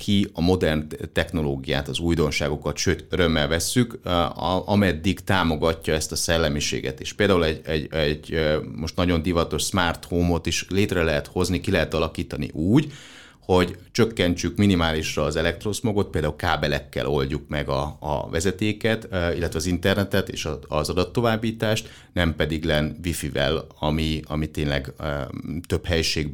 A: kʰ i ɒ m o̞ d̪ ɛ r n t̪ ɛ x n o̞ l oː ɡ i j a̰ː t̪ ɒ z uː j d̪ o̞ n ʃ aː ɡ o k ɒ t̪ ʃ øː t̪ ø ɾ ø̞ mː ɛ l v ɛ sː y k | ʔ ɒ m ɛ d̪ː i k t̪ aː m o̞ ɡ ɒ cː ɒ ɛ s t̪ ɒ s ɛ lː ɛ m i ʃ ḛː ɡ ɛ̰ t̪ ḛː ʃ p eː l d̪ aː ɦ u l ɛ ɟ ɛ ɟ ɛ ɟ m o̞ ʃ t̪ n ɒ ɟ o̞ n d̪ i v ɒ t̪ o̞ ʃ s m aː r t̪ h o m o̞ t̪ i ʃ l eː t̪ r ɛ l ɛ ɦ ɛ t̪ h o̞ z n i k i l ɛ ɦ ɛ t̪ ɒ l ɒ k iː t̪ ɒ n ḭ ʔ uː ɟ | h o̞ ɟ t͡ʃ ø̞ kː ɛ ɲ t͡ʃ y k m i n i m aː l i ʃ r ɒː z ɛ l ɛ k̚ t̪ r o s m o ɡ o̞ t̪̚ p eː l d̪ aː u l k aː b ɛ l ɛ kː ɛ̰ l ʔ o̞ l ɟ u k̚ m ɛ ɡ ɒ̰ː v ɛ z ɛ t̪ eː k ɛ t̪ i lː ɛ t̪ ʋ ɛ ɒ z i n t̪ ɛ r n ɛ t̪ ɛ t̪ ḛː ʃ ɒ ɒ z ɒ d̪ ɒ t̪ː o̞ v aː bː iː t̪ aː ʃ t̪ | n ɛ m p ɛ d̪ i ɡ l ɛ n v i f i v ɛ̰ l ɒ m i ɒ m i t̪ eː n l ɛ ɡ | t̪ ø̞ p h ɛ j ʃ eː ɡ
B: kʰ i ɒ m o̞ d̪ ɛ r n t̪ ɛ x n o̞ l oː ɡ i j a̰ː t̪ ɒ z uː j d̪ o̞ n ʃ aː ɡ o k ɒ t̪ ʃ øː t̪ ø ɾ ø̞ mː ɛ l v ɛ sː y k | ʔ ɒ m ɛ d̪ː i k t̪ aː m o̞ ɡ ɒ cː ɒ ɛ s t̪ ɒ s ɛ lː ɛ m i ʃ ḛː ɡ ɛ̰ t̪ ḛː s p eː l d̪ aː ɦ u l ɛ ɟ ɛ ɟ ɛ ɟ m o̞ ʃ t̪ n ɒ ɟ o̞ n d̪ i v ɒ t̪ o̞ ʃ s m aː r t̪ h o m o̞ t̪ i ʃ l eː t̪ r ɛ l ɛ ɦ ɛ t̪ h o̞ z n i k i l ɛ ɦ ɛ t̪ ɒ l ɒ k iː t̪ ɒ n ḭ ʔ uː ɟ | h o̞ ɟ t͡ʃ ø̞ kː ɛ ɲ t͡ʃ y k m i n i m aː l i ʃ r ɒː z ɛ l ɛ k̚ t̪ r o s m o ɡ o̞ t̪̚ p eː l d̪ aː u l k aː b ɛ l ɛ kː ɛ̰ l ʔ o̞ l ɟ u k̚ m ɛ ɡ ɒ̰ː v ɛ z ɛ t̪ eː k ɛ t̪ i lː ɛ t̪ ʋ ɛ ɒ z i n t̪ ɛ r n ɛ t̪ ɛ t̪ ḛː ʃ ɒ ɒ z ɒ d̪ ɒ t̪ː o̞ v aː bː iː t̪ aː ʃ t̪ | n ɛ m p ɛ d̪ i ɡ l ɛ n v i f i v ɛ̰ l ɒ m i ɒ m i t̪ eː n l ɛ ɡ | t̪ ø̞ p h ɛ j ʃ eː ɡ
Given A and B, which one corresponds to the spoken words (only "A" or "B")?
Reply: A